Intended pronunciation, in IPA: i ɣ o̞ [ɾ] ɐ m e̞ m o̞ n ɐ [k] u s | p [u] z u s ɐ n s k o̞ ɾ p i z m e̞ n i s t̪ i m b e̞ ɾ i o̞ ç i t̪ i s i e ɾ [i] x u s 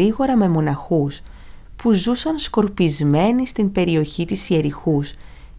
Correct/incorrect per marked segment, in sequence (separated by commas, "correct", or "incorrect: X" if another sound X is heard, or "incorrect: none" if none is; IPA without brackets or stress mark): correct, incorrect: x, correct, correct